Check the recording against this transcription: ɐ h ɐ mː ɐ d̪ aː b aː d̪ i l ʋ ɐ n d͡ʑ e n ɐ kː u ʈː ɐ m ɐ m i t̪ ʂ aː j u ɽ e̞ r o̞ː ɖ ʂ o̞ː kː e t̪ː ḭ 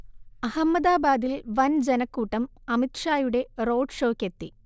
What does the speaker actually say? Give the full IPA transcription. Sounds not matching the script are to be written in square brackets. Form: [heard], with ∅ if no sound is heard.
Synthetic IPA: ɐ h ɐ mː ɐ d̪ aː b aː d̪ i l ʋ ɐ n d͡ʑ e n ɐ kː [uː] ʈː ɐ m ɐ m i t̪ ʂ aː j u ɽ e̞ r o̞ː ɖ ʂ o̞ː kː e t̪ː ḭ

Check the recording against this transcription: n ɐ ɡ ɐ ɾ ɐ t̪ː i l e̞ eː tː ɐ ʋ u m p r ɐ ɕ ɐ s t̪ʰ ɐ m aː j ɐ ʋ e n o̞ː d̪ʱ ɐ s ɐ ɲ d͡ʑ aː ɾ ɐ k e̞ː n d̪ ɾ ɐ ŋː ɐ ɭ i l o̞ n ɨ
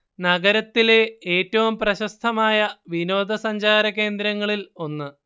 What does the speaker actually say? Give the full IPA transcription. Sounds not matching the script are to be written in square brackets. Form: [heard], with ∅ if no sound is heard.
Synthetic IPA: n ɐ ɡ ɐ ɾ ɐ t̪ː i l e̞ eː tː ɐ ʋ u m p r ɐ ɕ ɐ s t̪ʰ ɐ m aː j ɐ ʋ [i] n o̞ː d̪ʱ ɐ s ɐ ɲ d͡ʑ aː ɾ ɐ k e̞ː n d̪ ɾ ɐ ŋː ɐ ɭ i l o̞ [nː] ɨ

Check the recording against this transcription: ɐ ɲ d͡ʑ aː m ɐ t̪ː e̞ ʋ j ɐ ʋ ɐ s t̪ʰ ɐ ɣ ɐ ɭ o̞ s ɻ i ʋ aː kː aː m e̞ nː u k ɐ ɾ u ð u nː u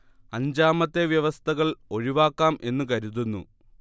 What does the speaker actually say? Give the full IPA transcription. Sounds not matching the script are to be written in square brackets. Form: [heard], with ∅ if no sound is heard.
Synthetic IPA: ɐ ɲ d͡ʑ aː m ɐ t̪ː e̞ ʋ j ɐ ʋ ɐ s t̪ʰ ɐ ɣ ɐ ɭ o̞ [∅] ɻ i ʋ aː kː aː m e̞ nː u k ɐ ɾ u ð u nː u

